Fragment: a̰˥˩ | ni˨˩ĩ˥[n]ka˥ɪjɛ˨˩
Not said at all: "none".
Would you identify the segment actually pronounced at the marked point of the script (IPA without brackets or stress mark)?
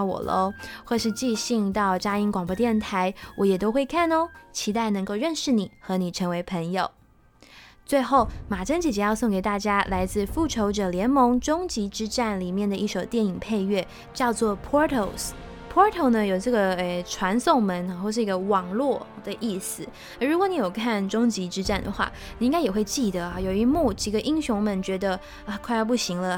ŋ